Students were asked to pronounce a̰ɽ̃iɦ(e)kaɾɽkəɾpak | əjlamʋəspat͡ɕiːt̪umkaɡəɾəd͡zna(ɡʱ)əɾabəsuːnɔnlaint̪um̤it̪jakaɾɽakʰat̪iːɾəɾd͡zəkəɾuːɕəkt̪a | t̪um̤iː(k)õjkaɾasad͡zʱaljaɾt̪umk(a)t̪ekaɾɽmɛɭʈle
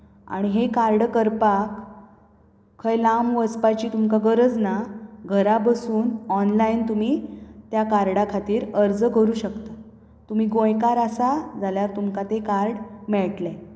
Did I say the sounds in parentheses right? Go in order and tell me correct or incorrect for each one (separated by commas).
correct, correct, incorrect, correct